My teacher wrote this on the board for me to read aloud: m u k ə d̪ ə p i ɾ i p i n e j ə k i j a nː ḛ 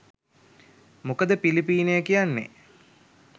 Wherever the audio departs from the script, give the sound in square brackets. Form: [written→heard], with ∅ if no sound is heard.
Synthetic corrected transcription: m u k ə d̪ ə p i [ɾ→l] i p [i→iː] n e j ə k i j a nː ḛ

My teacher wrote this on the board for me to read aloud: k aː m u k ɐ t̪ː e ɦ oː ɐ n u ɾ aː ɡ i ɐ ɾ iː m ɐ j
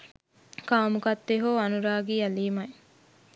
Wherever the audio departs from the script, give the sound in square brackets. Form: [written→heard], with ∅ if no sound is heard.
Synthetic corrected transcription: k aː m u k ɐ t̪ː e ɦ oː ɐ n u ɾ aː ɡ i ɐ [ɾ→l] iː m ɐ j

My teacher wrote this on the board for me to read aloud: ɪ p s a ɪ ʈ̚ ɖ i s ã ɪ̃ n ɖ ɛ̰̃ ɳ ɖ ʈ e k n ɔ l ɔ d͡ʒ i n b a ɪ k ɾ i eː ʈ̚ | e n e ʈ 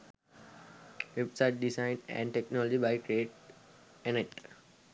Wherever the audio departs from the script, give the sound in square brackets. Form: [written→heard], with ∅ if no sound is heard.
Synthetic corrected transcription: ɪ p s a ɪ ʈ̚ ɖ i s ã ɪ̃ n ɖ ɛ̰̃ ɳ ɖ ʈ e k n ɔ l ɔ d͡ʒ i [n→∅] b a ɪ k ɾ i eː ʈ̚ | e n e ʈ

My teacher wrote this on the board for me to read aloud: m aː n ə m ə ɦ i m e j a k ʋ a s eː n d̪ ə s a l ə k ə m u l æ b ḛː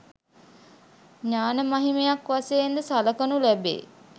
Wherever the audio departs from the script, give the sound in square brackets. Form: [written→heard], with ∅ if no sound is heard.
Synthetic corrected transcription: [m→ɲ] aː n ə m [ə→a] ɦ i m e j a k ʋ a s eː n d̪ ə s a l ə k ə [m→n] u l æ b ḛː

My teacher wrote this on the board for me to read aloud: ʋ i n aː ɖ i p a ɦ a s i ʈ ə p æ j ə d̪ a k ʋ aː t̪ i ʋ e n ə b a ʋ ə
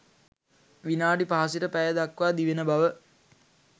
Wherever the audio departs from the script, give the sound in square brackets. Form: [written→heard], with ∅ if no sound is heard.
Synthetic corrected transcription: ʋ i n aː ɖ i p a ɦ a s i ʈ ə p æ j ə d̪ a k ʋ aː [t̪→d̪] i ʋ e n ə b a ʋ ə

